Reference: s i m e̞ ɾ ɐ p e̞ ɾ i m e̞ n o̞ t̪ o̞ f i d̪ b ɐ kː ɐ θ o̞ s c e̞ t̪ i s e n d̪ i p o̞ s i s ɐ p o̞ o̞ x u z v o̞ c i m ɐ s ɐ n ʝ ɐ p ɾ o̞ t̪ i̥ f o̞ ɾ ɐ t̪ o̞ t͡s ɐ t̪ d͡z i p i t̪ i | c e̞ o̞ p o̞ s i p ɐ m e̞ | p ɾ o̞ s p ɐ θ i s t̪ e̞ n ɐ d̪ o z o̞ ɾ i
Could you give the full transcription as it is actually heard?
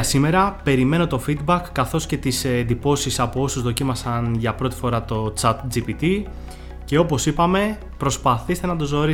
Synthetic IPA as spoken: s i m e̞ ɾ ɐ p e̞ ɾ i m e̞ n o̞ t̪ o̞ f i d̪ b ɐ kː ɐ θ o̞ s c e̞ t̪ i s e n d̪ i p o̞ s i s ɐ p o̞ o̞ s u z ð o̞ c i m ɐ s ɐ n ʝ ɐ p ɾ o̞ t̪ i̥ f o̞ ɾ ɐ t̪ o̞ t͡s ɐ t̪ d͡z i p i t̪ i | c e̞ o̞ p o̞ s i p ɐ m e̞ | p ɾ o̞ s p ɐ θ i s t̪ e̞ n ɐ d̪ o z o̞ ɾ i